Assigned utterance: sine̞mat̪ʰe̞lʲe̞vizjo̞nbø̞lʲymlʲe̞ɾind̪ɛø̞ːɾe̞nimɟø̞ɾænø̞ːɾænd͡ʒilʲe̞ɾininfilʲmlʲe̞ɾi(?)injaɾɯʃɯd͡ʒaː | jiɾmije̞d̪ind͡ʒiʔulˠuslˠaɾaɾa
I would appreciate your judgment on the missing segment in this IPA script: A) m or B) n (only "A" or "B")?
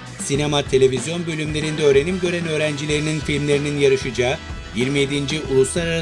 B